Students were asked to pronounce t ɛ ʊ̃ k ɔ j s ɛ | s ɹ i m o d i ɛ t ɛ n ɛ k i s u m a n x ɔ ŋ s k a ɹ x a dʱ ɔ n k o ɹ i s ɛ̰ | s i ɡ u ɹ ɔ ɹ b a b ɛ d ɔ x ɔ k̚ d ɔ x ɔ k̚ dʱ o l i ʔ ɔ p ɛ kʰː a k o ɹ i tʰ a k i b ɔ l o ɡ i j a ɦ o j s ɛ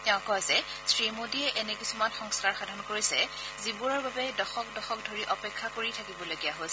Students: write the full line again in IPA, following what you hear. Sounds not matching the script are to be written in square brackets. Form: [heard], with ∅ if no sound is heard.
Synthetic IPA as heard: t ɛ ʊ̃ k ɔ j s ɛ | s ɹ i m o d i ɛ [ʔ] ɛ n ɛ k i s u m a n x ɔ ŋ s k a ɹ x a dʱ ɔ n k o ɹ i s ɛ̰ | [z] i [b] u ɹ ɔ ɹ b a b ɛ d ɔ x ɔ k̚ d ɔ x ɔ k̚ dʱ o [ɹ] i ʔ ɔ p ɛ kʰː a k o ɹ i tʰ a k i b ɔ l o ɡ i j a ɦ o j s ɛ